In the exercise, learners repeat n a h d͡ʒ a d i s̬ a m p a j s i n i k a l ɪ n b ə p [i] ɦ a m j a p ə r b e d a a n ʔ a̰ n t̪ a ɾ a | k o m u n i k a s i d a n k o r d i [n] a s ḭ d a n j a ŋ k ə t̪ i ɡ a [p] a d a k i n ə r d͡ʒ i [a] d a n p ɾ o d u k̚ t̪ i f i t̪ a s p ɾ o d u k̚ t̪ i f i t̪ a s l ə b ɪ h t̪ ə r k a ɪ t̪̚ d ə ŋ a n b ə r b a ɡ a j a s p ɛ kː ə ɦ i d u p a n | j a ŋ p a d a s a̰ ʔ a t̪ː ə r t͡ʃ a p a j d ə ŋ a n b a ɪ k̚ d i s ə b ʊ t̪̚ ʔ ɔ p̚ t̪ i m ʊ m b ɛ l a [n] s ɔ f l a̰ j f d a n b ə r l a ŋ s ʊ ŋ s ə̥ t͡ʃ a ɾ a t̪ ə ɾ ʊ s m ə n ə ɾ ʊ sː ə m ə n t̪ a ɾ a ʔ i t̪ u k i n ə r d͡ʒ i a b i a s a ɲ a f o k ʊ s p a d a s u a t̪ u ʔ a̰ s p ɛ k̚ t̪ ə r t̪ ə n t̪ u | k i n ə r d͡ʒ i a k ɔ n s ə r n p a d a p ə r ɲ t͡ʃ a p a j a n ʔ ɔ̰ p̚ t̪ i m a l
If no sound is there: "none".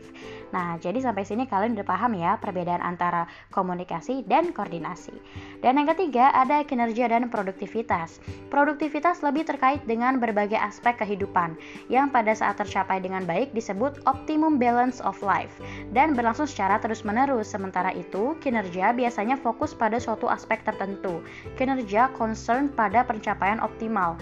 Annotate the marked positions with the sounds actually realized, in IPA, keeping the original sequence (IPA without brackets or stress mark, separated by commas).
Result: a, n, ʔ, a, n